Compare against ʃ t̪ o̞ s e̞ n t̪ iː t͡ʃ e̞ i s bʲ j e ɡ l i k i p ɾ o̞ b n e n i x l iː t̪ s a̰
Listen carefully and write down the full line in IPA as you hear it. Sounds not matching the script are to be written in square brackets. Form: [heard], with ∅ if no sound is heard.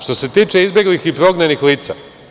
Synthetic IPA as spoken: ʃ t̪ o̞ s e̞ [∅] t̪ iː t͡ʃ e̞ i [z] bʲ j e ɡ l i [x] i p ɾ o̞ [ɡ] n e n i x l iː t̪ s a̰